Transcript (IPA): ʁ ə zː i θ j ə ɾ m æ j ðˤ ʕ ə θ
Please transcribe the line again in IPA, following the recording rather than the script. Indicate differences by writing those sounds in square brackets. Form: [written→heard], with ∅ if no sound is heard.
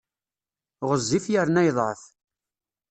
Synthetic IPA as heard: ʁ ə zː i [θ→f] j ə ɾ [m→n] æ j ðˤ ʕ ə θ